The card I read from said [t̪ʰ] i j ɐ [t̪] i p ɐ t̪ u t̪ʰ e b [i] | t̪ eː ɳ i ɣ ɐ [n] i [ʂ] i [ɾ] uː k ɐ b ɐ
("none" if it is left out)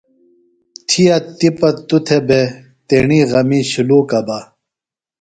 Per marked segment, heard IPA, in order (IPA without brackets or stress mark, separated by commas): t̪ʰ, t̪, e, m, ɕ, l